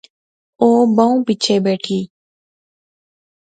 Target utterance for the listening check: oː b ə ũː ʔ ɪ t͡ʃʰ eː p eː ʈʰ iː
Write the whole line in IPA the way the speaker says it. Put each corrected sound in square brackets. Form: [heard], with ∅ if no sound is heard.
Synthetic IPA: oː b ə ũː [p] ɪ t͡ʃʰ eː [b] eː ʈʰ iː

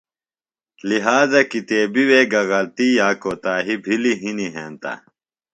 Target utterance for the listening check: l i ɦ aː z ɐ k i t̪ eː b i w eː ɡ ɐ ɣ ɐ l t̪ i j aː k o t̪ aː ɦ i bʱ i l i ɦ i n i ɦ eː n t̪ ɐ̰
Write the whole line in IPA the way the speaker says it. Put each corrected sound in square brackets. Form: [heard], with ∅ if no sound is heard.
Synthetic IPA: l i ɦ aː z ɐ k i t̪ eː b i w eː ɡ ɐ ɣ ɐ l t̪ i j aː k o t̪ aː ɦ i bʱ i l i ɦ i n i ɦ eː n t̪ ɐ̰

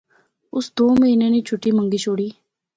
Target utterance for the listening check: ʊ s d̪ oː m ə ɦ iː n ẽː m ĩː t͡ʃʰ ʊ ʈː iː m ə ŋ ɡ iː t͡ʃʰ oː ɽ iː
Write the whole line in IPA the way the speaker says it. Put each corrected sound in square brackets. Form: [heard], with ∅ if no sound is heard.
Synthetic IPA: ʊ s d̪ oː m ə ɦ iː n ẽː [n] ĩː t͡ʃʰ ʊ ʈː iː m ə ŋ ɡ iː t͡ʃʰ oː ɽ iː

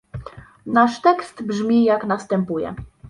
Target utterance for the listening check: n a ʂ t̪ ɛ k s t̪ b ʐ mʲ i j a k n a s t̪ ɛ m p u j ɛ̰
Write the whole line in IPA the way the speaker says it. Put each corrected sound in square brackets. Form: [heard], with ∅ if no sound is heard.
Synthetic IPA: n a ʂ t̪ ɛ k s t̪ b ʐ mʲ i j a k n a s t̪ ɛ m p u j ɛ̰

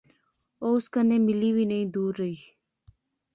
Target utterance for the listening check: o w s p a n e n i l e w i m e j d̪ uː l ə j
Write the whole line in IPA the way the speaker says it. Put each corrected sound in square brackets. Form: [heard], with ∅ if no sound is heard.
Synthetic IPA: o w s [k] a n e [m] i l [i] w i [n] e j d̪ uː [ɾ] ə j

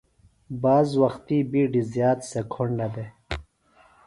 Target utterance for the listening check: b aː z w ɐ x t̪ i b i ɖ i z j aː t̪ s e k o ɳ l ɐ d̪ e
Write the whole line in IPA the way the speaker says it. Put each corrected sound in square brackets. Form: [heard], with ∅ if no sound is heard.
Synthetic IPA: b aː z w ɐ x t̪ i b i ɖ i z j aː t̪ s e [kʰ] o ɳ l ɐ d̪ e

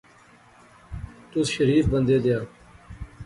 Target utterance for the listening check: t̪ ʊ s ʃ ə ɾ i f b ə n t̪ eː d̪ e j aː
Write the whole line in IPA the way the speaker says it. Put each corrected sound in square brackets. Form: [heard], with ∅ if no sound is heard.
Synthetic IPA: t̪ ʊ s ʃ ə ɾ [iː] f b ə n [d̪] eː d̪ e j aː

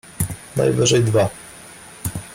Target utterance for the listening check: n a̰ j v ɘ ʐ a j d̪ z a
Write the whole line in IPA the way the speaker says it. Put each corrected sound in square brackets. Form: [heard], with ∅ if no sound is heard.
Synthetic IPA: n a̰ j v ɘ ʐ [ɛ] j d̪ [v] a

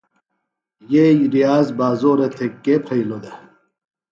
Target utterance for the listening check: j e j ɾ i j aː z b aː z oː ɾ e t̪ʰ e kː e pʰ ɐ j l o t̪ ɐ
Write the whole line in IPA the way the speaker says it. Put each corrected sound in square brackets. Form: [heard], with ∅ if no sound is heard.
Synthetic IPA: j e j ɾ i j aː z b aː z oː ɾ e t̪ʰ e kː e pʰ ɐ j l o [d̪] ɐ

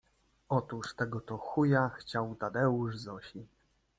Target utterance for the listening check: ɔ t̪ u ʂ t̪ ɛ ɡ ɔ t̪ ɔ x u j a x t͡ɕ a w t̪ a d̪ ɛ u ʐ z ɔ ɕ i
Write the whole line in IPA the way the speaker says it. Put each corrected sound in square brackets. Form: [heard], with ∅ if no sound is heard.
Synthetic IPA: ɔ t̪ u ʂ t̪ ɛ ɡ ɔ t̪ ɔ x u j a x t͡ɕ a w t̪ a d̪ ɛ u ʐ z ɔ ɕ i

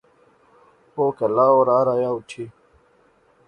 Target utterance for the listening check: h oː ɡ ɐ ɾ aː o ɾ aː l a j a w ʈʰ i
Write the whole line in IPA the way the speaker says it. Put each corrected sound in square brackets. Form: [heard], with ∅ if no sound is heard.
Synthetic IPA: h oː [k] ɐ [l] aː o ɾ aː [ɾ] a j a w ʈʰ i

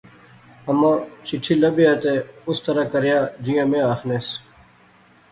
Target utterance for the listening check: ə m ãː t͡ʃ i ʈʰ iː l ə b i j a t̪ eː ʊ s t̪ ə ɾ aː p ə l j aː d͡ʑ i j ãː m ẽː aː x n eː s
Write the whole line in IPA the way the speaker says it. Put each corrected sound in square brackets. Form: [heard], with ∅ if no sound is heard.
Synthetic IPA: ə m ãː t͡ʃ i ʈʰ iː l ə b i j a t̪ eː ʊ s t̪ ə ɾ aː [k] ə [ɾ] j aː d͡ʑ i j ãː m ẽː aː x n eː s

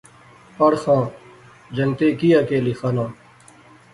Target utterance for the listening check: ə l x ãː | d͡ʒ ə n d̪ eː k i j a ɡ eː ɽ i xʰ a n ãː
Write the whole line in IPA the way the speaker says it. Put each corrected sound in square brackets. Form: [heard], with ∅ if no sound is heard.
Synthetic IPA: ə [ɽ] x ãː | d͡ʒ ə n [t̪] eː k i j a [k] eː [l] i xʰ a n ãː

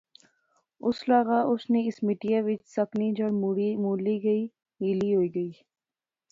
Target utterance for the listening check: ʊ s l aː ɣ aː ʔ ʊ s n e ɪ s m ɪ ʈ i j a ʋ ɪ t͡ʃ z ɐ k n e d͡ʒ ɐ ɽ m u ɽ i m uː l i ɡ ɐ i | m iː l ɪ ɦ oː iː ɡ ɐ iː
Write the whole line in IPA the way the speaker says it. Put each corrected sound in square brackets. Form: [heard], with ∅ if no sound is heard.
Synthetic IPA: ʊ s l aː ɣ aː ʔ ʊ s n e ɪ s m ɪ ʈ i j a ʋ ɪ t͡ʃ [s] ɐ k n [i] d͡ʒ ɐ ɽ m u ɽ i m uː l i ɡ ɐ i | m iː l [i] ɦ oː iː ɡ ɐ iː

